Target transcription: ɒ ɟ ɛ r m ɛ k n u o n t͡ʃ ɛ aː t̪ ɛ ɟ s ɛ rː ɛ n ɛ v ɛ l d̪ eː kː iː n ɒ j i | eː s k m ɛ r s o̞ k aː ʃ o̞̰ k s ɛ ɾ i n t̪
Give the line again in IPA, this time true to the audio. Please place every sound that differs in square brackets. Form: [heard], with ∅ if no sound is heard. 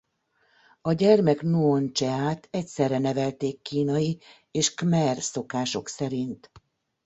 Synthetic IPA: ɒ ɟ ɛ r m ɛ k n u o n t͡ʃ ɛ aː t̪ ɛ [c] s ɛ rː ɛ n ɛ v ɛ l [t̪] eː kː iː n ɒ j i | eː [ʃ] k m ɛ r s o̞ k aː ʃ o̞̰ k s ɛ ɾ i n t̪